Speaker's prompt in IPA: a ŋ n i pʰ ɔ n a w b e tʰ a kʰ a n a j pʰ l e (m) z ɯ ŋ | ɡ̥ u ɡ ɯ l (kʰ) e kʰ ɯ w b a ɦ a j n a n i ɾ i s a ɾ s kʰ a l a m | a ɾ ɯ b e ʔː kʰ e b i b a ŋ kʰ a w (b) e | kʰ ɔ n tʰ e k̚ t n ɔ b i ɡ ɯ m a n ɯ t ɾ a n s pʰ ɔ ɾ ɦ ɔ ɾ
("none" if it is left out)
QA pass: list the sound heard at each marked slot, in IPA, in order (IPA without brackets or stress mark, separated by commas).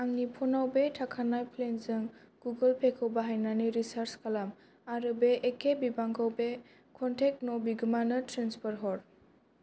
n, pʰ, b